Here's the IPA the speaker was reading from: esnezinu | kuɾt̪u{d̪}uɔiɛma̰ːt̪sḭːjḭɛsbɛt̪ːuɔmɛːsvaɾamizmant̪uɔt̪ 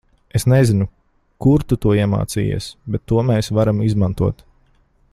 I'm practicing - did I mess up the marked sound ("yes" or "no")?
yes